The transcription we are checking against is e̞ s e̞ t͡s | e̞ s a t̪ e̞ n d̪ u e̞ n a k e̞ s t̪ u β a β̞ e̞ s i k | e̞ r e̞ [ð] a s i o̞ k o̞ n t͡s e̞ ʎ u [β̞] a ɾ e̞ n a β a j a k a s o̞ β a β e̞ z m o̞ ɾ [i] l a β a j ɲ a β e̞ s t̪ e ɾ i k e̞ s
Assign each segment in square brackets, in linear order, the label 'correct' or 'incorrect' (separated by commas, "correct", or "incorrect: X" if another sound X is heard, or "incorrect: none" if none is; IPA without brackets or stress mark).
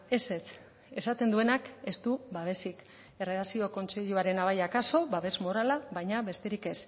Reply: correct, incorrect: none, incorrect: a